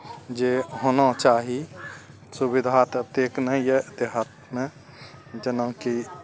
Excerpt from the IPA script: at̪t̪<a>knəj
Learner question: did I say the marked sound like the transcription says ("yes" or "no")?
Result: no